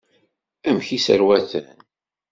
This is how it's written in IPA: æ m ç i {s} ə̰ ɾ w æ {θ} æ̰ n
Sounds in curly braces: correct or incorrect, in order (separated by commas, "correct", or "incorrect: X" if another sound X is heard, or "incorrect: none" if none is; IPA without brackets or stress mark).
correct, correct